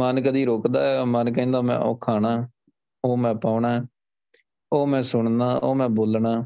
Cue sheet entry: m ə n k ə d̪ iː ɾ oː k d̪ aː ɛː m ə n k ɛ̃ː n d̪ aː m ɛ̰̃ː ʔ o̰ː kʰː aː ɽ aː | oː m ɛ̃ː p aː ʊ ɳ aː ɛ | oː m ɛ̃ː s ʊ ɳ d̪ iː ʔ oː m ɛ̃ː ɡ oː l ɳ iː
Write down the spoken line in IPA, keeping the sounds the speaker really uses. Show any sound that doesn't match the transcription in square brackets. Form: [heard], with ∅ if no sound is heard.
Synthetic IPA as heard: m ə n k ə d̪ iː ɾ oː k d̪ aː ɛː m ə n k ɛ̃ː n d̪ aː m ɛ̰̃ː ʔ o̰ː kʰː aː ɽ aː | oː m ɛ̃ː p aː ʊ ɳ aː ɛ | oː m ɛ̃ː s ʊ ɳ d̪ [aː] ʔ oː m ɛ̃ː [b] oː l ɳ [aː]